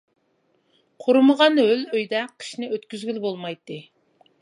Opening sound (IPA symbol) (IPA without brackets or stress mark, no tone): qʰ